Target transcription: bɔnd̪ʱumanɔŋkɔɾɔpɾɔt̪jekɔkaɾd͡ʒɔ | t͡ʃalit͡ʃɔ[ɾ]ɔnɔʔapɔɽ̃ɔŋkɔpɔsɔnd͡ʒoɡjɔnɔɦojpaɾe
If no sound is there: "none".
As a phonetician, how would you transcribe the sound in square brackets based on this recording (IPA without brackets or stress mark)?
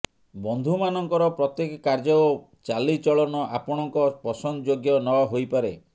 ɭ